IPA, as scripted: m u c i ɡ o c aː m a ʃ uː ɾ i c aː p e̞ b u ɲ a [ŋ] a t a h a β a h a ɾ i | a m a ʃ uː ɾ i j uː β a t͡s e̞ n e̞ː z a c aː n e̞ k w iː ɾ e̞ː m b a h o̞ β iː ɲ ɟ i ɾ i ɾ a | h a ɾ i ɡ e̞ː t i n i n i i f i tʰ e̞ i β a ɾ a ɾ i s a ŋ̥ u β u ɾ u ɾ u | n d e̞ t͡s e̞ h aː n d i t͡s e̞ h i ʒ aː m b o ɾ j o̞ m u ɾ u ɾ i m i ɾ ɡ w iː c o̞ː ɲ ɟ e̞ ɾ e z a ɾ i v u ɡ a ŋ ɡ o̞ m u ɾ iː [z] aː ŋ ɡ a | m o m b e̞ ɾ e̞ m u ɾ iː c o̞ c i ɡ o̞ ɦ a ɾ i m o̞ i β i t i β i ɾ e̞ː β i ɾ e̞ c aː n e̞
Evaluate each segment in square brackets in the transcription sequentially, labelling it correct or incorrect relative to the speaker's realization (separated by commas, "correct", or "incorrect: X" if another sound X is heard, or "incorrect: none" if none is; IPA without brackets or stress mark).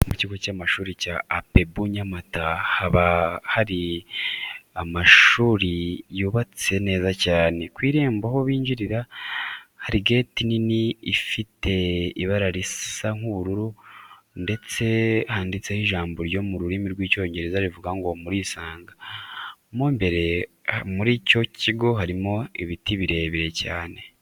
incorrect: m, incorrect: s